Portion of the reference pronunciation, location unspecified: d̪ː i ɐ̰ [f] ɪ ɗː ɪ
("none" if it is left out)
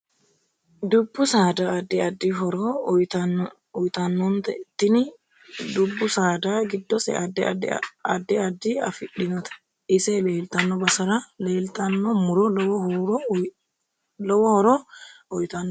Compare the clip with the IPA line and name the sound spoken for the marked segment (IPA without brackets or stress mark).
f